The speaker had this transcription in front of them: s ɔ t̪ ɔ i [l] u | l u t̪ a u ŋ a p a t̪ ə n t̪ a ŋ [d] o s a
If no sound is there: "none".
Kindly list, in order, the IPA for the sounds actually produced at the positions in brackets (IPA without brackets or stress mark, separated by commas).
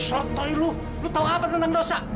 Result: l, d